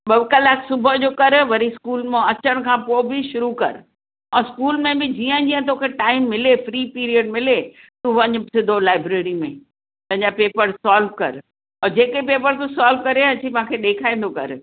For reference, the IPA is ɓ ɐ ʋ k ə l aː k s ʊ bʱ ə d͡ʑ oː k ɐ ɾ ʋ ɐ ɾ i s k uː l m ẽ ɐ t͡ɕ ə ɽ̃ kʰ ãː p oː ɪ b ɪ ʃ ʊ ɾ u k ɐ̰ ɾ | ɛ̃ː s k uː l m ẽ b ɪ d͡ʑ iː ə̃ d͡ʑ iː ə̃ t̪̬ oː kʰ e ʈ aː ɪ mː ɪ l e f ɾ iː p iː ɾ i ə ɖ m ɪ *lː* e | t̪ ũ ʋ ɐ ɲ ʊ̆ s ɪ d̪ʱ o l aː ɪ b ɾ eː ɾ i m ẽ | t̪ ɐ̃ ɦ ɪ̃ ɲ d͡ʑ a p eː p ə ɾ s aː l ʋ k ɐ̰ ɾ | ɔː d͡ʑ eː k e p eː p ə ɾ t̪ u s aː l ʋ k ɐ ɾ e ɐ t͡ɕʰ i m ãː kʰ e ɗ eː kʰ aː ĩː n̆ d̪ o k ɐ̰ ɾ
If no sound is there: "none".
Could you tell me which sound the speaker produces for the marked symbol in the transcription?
l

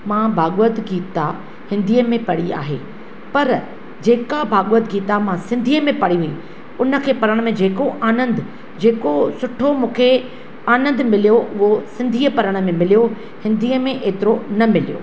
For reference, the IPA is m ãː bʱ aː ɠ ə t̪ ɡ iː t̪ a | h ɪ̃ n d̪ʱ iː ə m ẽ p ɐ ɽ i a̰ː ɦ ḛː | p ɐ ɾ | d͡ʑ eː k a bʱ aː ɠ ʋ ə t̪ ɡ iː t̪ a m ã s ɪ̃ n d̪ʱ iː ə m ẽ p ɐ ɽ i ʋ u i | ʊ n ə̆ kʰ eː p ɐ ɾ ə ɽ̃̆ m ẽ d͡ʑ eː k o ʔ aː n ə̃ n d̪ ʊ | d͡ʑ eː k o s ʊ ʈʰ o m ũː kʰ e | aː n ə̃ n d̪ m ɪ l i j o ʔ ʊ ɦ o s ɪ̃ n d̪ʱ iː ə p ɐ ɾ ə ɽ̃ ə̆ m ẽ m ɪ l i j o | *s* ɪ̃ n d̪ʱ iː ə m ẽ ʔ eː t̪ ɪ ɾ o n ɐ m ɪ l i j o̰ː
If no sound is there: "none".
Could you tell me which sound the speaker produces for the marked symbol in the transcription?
h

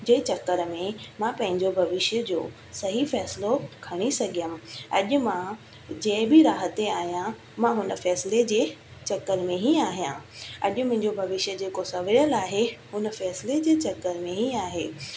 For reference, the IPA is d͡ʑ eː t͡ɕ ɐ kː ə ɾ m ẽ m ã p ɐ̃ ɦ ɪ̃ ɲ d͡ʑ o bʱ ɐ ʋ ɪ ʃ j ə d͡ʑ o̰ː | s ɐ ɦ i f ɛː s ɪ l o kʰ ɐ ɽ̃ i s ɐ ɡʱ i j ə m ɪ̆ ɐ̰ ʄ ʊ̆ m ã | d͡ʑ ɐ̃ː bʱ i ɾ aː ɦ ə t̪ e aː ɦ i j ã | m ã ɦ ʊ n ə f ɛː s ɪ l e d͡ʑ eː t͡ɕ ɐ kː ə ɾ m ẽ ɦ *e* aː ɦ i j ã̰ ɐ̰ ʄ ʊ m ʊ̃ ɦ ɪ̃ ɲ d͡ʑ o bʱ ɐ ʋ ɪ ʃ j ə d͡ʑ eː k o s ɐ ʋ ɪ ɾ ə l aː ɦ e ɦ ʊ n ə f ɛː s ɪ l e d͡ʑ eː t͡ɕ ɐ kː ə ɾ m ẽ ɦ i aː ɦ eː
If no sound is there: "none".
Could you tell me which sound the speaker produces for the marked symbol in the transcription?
i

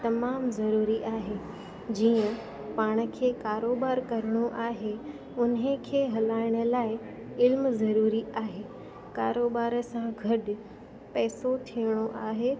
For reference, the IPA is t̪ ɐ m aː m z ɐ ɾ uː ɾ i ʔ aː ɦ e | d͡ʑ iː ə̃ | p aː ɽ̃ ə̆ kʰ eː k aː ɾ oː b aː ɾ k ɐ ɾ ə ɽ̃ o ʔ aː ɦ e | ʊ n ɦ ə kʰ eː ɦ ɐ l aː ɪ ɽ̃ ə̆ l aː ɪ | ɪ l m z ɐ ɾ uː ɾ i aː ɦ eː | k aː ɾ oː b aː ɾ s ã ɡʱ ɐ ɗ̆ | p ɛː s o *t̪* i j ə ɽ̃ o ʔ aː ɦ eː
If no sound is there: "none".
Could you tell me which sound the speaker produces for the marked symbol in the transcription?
t̪ʰ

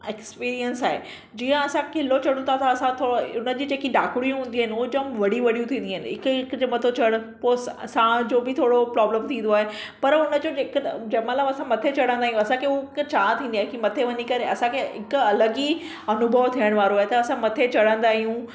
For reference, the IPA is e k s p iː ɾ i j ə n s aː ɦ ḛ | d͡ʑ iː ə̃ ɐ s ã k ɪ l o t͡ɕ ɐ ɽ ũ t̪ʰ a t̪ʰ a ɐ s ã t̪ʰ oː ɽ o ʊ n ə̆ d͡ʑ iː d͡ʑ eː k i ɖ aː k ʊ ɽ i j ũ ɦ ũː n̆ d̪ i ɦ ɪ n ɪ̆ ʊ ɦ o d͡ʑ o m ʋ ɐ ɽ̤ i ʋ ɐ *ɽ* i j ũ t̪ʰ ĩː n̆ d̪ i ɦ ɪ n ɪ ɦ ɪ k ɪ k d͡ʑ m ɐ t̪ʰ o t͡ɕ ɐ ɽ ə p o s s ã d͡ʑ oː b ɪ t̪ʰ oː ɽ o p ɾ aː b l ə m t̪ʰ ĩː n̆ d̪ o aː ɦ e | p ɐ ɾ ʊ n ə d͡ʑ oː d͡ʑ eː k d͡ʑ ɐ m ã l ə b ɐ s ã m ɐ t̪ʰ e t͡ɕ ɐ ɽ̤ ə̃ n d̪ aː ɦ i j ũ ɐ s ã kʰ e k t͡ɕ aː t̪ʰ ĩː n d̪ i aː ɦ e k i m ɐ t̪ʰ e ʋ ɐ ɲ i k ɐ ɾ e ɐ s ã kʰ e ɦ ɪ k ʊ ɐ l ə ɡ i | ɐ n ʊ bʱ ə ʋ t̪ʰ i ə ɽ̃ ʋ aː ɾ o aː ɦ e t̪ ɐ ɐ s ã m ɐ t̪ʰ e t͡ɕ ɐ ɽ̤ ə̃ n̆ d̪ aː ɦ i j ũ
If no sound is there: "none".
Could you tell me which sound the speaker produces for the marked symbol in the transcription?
ɽ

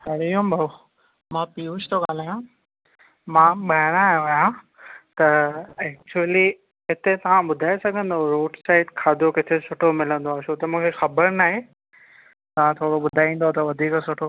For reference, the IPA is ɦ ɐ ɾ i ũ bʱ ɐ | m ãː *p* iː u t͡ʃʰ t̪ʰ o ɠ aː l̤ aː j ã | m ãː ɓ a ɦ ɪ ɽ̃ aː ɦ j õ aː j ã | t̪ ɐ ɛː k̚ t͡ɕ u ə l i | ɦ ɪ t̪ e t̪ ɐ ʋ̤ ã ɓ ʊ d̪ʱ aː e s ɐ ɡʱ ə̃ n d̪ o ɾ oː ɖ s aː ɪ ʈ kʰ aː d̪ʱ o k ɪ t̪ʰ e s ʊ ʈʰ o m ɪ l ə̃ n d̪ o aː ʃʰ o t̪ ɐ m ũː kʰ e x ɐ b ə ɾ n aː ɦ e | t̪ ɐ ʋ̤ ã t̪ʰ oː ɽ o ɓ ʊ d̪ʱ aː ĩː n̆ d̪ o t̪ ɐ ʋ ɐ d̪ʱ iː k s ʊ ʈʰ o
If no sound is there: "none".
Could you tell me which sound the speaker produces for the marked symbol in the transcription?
p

